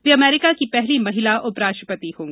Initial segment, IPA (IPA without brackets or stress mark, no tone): ʋ